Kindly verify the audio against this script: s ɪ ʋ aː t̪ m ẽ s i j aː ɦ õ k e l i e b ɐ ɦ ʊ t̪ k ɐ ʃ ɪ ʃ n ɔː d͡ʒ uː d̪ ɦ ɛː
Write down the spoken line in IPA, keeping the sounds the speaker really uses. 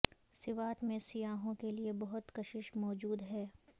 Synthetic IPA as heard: s ɪ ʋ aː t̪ m ẽ s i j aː ɦ õ k e l i e b ɐ ɦ ʊ t̪ k ɐ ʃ ɪ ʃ m ɔː d͡ʒ uː d̪ ɦ ɛː